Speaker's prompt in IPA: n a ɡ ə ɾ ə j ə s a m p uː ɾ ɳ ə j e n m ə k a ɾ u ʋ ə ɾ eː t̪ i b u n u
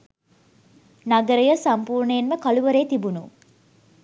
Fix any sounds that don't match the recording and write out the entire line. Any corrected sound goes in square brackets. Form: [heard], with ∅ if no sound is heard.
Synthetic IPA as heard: n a ɡ ə ɾ ə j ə s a m p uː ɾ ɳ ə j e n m ə k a [l] u ʋ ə ɾ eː t̪ i b u n u